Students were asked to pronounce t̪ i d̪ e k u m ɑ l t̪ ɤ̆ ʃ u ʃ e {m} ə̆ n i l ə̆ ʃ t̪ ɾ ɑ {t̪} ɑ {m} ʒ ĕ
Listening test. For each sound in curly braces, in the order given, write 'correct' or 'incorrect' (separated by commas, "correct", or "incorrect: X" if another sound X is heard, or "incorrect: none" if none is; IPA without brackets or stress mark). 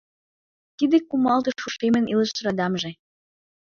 correct, incorrect: d̪, correct